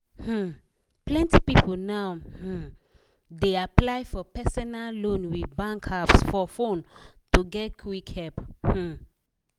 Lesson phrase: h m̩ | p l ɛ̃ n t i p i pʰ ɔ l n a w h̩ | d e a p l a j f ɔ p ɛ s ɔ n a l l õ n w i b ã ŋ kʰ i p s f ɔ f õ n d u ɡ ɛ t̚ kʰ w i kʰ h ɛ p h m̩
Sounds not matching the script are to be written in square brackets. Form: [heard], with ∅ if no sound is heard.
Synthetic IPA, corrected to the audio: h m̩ | p l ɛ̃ n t i p i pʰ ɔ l n a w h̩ | d e a p l a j f ɔ p ɛ s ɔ n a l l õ n w i b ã ŋ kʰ [a] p s f ɔ f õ n [t] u ɡ ɛ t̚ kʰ w i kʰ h ɛ p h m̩